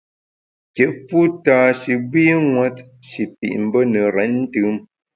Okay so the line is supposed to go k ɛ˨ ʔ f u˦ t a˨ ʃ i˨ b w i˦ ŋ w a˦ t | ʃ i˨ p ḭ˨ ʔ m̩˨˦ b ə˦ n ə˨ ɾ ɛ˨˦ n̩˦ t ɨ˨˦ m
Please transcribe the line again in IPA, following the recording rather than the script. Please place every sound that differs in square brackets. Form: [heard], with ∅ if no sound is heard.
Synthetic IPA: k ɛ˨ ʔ f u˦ t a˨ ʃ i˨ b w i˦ ŋ w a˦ t | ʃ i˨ p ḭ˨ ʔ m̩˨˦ b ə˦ n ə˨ ɾ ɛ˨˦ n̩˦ t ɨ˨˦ m